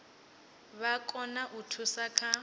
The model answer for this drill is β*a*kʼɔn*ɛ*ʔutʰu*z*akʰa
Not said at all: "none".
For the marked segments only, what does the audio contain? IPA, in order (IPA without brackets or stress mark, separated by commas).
a, a, s